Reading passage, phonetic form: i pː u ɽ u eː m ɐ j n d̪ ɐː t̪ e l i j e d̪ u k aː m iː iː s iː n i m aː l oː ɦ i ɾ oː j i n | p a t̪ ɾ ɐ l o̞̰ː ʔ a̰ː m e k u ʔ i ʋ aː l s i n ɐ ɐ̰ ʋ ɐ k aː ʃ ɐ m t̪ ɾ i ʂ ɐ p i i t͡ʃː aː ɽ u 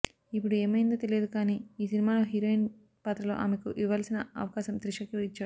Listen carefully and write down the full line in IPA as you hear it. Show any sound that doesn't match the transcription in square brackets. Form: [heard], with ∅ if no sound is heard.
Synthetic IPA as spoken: i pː u ɽ u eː m ɐ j n d̪ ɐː t̪ e l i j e d̪ u k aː [n] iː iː s [i] n i m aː l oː ɦ i ɾ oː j i n | p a t̪ ɾ ɐ l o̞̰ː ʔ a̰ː m e k u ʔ i ʋ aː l s i n ɐ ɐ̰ ʋ ɐ k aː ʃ ɐ m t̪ ɾ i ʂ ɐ [k] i i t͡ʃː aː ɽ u